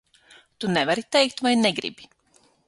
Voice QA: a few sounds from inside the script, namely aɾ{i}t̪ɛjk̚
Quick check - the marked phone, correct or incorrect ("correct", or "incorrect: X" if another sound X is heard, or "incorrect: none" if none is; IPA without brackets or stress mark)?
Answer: correct